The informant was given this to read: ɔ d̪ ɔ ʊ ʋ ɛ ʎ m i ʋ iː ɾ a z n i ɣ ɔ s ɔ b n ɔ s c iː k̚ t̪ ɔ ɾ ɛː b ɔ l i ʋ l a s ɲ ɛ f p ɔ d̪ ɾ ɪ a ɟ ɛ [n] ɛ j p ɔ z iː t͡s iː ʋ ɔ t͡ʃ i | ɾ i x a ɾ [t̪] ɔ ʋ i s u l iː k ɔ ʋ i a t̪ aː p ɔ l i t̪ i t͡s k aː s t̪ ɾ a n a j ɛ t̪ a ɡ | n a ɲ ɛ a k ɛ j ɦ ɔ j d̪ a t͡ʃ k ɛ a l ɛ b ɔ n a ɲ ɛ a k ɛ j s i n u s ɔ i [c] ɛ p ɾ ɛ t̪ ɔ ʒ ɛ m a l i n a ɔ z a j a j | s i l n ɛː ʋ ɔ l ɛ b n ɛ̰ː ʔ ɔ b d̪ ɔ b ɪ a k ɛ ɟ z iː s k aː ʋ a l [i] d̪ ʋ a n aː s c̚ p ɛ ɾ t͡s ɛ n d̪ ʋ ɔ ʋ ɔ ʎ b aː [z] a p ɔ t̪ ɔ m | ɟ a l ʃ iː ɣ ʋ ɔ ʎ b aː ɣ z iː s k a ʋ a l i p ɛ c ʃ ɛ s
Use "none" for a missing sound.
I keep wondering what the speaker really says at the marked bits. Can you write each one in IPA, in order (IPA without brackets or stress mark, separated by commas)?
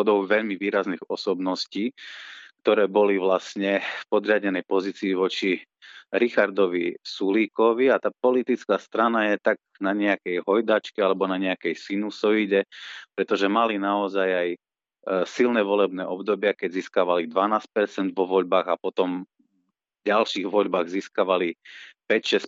n, d̪, ɟ, i, ɣ